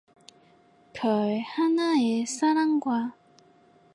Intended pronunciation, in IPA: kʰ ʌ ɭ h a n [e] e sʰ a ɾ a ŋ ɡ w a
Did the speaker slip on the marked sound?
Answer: yes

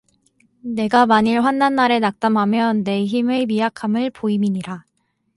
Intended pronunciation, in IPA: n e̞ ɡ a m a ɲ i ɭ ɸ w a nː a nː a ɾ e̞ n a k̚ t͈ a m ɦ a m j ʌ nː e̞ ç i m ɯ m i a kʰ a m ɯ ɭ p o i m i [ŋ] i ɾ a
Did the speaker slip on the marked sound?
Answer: yes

